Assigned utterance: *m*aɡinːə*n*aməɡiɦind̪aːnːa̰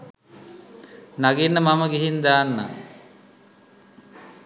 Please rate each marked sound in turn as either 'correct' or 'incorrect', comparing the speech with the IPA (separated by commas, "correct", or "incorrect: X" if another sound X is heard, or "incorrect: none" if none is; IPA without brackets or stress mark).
incorrect: n, incorrect: m